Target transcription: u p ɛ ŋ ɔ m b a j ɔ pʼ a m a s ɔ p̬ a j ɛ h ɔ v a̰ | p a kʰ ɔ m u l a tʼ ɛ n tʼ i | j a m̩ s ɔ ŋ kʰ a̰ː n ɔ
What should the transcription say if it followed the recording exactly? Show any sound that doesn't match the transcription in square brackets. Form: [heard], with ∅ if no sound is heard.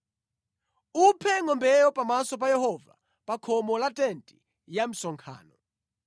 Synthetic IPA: u [pʰ] ɛ ŋ ɔ m b [ɛ] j ɔ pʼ a m a s ɔ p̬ a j ɛ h ɔ v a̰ | p a kʰ ɔ m [ɔ] l a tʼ ɛ n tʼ i | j a m̩ s ɔ ŋ kʰ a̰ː n ɔ